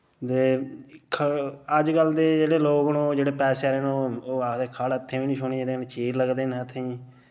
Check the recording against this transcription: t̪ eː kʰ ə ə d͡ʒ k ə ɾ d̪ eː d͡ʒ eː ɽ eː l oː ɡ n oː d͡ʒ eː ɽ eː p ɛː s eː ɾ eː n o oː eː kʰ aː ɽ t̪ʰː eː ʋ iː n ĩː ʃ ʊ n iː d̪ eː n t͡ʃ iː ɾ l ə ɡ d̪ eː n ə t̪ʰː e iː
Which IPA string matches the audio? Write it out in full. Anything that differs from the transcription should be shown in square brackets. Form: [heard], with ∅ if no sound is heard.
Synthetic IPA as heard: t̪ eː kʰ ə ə d͡ʒ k ə [l] d̪ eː d͡ʒ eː ɽ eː l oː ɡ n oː d͡ʒ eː ɽ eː p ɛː s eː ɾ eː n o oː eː kʰ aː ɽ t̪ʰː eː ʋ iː n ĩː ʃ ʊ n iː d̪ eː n t͡ʃ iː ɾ l ə ɡ d̪ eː n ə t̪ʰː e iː

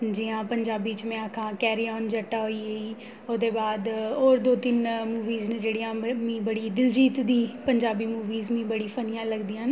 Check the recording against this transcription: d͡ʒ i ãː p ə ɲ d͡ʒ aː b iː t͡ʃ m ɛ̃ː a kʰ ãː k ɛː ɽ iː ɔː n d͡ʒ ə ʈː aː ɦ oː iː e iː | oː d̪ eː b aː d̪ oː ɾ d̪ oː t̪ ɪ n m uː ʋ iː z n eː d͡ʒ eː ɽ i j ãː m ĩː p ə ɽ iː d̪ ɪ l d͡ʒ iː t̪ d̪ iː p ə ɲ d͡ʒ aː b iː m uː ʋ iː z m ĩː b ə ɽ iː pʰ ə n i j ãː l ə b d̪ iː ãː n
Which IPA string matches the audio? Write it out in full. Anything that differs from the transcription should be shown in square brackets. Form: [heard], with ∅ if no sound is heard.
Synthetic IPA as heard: d͡ʒ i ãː p ə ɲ d͡ʒ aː b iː t͡ʃ m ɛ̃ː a kʰ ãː k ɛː [ɾ] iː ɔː n d͡ʒ ə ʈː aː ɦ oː iː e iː | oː d̪ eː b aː d̪ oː ɾ d̪ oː t̪ ɪ n m uː ʋ iː z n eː d͡ʒ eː ɽ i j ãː m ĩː [b] ə ɽ iː d̪ ɪ l d͡ʒ iː t̪ d̪ iː p ə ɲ d͡ʒ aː b iː m uː ʋ iː z m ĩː b ə ɽ iː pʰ ə n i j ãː l ə [ɡ] d̪ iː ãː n

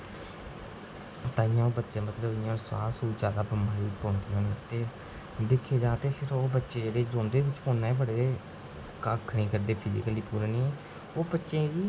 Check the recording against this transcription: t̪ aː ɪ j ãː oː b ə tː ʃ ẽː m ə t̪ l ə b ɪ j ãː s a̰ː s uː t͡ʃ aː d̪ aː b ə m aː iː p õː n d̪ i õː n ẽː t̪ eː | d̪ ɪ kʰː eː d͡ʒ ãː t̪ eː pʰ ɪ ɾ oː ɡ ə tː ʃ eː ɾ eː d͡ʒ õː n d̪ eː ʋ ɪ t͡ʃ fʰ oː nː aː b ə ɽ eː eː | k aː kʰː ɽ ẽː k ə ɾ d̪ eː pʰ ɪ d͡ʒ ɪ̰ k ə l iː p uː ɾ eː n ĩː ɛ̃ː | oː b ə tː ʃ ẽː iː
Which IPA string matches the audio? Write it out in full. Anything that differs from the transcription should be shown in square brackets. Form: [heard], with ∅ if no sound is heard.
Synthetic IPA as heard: t̪ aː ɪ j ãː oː b ə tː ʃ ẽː m ə t̪ l ə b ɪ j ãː s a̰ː s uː t͡ʃ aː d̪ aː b ə m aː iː p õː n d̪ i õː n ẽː t̪ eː | d̪ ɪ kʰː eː d͡ʒ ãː t̪ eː pʰ ɪ ɾ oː [b] ə tː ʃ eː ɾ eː d͡ʒ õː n d̪ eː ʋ ɪ t͡ʃ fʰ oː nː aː b ə ɽ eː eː | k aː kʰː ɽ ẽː k ə ɾ d̪ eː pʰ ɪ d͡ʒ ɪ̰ k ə l iː p uː ɾ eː n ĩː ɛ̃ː | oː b ə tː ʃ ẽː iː

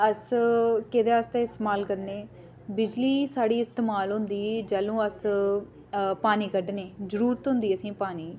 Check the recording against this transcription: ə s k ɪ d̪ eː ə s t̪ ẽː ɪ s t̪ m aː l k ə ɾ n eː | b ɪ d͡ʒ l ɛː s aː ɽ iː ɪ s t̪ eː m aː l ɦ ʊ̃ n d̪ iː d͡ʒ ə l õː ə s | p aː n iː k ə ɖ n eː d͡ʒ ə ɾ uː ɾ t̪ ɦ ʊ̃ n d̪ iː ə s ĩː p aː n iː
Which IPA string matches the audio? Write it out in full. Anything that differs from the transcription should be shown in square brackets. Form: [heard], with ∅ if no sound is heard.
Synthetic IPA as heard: ə s k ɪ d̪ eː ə s t̪ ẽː ɪ s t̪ m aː l k ə ɾ n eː | b ɪ d͡ʒ l [iː] s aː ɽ iː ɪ s t̪ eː m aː l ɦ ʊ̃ n d̪ iː d͡ʒ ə l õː ə s | p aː n iː k ə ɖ n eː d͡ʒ ə ɾ uː ɾ t̪ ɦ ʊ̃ n d̪ iː ə s ĩː p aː n iː

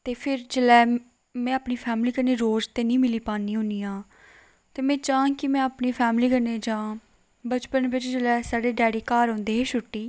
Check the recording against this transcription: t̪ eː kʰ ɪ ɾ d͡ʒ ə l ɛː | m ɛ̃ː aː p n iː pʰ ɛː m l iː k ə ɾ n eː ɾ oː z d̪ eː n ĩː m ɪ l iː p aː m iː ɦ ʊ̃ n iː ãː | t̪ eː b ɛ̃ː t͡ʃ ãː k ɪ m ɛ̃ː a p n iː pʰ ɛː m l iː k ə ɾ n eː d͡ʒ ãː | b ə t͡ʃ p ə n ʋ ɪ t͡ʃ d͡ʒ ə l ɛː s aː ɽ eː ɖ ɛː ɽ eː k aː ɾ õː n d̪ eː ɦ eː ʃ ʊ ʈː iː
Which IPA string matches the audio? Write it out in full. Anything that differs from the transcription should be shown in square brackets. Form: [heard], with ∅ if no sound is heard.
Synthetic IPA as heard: t̪ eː [pʰ] ɪ ɾ d͡ʒ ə l ɛː | m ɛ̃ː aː p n iː pʰ ɛː m l iː k ə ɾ n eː ɾ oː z [t̪] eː n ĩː m ɪ l iː p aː [n] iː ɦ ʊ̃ n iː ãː | t̪ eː [m] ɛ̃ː t͡ʃ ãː k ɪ m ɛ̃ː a p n iː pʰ ɛː m l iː k ə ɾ n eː d͡ʒ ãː | b ə t͡ʃ p ə n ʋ ɪ t͡ʃ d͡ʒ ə l ɛː s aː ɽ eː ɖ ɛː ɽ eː k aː ɾ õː n d̪ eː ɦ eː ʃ ʊ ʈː iː

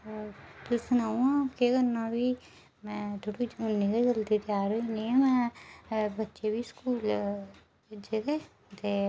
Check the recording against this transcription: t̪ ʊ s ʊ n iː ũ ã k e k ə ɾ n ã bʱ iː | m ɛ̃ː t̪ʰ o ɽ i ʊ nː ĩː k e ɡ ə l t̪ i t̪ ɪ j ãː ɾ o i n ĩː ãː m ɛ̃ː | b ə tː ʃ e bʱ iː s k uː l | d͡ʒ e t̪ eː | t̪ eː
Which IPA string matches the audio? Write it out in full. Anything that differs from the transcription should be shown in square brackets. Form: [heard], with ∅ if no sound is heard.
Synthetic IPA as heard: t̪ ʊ s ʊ n [aː] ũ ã k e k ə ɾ n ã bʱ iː | m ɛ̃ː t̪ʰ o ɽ i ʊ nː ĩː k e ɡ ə l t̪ i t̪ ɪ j [aː] ɾ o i n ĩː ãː m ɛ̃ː | b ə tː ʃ e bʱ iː s k uː l | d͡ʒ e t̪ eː | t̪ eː

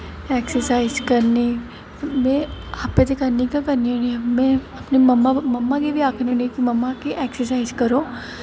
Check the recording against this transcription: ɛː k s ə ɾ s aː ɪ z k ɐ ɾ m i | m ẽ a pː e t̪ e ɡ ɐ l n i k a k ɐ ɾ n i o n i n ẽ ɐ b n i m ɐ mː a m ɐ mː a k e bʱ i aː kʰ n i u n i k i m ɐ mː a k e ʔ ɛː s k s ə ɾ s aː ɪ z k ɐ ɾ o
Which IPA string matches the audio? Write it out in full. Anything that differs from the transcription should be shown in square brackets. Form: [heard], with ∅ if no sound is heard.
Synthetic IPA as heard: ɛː k s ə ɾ s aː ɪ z k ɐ ɾ [n] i | m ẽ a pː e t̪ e [k] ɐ [ɾ] n i k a k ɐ ɾ n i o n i [m] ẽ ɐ [p] n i m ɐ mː a m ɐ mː a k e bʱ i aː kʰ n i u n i k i m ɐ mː a k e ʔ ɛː [∅] k s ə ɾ s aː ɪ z k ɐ ɾ o

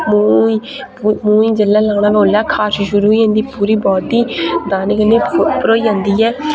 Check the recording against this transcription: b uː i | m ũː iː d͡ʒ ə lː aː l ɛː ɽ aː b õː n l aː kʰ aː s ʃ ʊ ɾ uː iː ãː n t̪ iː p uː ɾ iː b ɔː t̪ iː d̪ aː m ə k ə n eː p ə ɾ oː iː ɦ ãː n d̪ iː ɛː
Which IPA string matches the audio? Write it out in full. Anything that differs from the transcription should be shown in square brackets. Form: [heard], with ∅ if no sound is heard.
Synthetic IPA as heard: [m] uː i | m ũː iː d͡ʒ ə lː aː l [aː] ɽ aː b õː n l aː kʰ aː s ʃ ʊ ɾ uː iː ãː n [d̪] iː p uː ɾ iː b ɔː t̪ iː d̪ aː [n] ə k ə n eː p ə ɾ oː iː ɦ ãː n d̪ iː ɛː

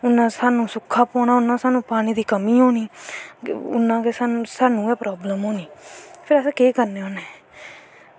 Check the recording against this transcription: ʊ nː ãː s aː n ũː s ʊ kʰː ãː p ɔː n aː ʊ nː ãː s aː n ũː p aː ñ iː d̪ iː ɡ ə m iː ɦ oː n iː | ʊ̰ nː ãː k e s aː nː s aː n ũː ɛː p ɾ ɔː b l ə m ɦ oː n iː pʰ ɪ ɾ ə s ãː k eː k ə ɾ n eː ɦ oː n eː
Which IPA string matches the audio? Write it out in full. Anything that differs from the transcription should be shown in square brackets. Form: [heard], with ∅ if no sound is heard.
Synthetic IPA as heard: ʊ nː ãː s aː n ũː s ʊ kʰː [aː] p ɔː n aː ʊ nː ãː s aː n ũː p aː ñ iː d̪ iː [k] ə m iː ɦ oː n iː | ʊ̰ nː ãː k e s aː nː s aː n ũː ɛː p ɾ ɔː b l ə m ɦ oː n iː pʰ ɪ ɾ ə s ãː k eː k ə ɾ n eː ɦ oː n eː

